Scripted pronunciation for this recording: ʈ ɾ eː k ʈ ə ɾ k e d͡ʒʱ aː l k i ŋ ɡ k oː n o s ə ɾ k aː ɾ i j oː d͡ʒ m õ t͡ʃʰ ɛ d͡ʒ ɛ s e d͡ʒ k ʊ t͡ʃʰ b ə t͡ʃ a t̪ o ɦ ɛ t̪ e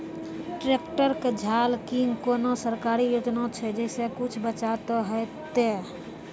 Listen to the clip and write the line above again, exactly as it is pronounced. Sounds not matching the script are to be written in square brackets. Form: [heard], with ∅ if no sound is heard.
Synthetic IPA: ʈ ɾ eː k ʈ ə ɾ k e d͡ʒʱ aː l k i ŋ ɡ k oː n o s ə ɾ k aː ɾ i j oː d͡ʒ [n] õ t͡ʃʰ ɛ d͡ʒ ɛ s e [∅] k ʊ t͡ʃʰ b ə t͡ʃ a t̪ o ɦ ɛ t̪ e